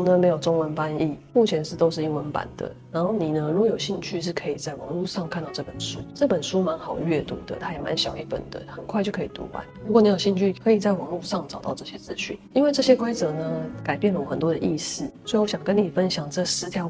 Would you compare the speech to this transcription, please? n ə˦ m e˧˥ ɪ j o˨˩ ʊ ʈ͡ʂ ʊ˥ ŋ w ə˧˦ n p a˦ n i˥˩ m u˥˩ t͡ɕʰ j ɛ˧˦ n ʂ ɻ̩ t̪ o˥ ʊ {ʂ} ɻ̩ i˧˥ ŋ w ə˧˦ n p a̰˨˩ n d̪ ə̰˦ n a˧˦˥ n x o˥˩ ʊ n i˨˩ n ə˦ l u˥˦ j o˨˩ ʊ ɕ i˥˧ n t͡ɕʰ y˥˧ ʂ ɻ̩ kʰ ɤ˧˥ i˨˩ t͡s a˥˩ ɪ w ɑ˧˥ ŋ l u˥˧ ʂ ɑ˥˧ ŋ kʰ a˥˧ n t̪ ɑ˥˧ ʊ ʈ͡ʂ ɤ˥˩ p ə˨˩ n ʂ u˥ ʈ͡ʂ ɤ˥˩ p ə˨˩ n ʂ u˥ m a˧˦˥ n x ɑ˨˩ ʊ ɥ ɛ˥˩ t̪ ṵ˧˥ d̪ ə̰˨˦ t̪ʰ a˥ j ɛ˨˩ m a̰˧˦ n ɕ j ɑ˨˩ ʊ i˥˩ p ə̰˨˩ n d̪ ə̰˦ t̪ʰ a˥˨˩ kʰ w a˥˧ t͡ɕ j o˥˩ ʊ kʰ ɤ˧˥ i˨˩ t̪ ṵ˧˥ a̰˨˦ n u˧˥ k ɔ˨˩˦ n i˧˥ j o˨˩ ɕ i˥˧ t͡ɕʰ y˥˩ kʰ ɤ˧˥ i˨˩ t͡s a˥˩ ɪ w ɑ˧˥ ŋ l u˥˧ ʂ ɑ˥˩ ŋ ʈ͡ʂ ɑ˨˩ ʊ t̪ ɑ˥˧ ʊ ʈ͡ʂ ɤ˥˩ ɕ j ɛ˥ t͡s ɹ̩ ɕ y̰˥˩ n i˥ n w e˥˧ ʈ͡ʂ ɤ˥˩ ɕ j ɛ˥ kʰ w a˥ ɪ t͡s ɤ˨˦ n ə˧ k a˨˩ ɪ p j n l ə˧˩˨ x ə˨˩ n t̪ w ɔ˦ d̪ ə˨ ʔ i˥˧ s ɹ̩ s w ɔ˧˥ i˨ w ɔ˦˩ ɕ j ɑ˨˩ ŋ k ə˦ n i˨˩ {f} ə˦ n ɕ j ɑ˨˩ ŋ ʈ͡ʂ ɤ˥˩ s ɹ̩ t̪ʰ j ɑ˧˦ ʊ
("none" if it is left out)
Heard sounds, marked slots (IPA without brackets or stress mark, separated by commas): ʂ, f